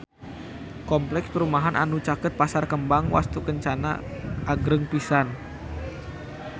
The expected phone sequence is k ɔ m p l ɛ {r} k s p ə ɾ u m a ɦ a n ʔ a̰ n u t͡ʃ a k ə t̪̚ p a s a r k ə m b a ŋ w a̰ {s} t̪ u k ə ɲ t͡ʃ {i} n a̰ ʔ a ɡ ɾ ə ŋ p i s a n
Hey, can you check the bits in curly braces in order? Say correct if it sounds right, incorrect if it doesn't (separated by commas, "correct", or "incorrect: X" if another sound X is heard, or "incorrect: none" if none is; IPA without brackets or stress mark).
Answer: incorrect: none, correct, incorrect: a